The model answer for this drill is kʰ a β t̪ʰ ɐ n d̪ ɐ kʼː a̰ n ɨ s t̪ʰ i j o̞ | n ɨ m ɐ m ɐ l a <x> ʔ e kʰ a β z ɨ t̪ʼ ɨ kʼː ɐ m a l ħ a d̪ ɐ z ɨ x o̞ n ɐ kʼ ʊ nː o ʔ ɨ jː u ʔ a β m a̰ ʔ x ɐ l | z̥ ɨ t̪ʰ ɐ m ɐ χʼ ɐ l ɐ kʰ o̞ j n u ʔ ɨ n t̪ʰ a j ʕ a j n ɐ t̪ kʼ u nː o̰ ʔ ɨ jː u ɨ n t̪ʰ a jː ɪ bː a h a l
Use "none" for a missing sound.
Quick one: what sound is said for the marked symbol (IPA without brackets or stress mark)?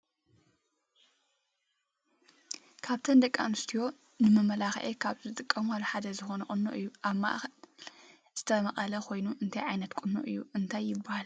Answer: x